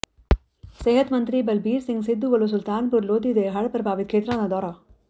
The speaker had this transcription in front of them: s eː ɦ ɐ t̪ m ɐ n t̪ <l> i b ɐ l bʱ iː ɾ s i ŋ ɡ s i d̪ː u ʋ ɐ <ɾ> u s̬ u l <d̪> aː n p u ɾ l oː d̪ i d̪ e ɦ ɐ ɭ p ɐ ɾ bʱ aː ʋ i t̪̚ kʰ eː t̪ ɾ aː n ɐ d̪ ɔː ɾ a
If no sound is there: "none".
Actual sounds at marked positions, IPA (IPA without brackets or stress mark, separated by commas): ɾ, l, t̪